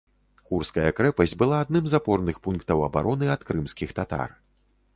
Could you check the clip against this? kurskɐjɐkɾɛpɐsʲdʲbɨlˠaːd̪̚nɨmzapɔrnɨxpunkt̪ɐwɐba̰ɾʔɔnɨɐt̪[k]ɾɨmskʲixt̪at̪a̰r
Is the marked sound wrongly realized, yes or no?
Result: no